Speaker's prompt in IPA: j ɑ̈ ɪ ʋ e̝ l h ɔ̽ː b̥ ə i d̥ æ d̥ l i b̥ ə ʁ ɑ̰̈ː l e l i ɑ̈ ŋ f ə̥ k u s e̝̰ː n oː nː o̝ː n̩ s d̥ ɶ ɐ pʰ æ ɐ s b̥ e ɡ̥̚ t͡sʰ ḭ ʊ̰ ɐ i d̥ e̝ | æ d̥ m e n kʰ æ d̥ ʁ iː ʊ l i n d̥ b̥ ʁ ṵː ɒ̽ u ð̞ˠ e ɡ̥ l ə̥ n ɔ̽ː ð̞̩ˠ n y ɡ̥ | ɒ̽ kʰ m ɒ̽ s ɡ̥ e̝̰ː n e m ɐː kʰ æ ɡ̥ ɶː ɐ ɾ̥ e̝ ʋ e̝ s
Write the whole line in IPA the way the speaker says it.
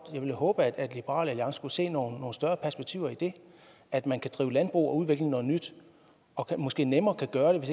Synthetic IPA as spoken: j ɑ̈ ɪ ʋ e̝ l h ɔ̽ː b̥ ə æ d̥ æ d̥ l i b̥ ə ʁ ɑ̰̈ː l æ l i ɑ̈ ŋ s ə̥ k u s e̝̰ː n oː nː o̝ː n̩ s d̥ ɶ ɐ pʰ æ ɐ s b̥ e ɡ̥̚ t͡sʰ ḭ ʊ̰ ɐ i d̥ e̝ | æ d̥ m æ n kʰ æ d̥ ʁ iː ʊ l æ n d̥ b̥ ʁ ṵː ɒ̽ u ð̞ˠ e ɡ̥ l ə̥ n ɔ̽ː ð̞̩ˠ n y d̥ | ɒ̽ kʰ m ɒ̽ s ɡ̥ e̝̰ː n e m ɐː kʰ æ ɡ̥ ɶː ɐ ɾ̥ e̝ ʋ e̝ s